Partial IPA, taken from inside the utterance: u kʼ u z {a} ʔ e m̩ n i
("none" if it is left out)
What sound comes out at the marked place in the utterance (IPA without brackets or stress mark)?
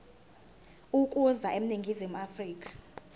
a